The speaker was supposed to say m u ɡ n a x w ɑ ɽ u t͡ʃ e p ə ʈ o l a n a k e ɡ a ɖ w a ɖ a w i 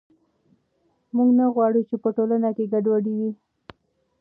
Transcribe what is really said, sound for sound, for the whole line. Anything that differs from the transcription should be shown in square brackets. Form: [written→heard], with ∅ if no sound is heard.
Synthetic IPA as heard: m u ɡ n a [x→ɣ] w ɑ ɽ u t͡ʃ e p ə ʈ o l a n a k e ɡ a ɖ w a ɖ [a→i] w i